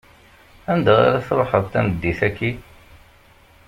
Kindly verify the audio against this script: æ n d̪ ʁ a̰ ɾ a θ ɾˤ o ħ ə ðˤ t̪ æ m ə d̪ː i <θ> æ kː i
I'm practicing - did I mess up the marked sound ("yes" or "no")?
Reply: no